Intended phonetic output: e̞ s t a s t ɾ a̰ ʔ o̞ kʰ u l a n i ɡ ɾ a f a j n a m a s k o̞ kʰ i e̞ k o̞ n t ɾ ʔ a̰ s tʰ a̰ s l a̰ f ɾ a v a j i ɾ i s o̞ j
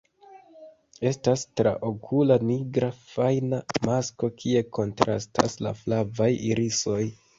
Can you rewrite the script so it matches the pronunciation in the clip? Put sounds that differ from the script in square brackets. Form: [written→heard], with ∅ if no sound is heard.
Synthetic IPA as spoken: e̞ s t a s t ɾ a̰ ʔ o̞ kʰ u l a n i ɡ ɾ a f a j n a m a s k o̞ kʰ i e̞ k o̞ n t ɾ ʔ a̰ s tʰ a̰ s l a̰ f [ɾ→l] a v a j i ɾ i s o̞ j